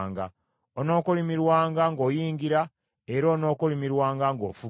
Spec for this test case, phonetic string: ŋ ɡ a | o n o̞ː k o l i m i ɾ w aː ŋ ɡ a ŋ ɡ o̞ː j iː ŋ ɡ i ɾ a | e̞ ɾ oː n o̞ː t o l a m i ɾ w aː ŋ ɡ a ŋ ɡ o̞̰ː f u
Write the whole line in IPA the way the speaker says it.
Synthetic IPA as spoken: ŋ ɡ a | o n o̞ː k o l i m i ɾ w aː ŋ ɡ a ŋ ɡ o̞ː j iː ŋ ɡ i ɾ a | e̞ ɾ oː n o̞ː k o l i m i ɾ w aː ŋ ɡ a ŋ ɡ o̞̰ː f u